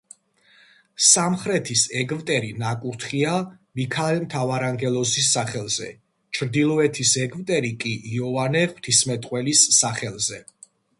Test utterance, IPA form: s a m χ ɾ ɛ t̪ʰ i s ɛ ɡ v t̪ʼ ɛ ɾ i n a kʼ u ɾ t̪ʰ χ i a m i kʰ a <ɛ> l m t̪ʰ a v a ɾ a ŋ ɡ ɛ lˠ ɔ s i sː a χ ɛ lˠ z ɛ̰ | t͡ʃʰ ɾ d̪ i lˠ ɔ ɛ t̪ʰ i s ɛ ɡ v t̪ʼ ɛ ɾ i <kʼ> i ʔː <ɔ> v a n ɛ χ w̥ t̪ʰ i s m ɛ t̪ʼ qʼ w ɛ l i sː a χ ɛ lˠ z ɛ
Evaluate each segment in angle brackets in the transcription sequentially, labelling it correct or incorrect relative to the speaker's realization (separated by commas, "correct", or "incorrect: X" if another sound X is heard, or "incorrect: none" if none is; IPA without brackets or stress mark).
correct, correct, correct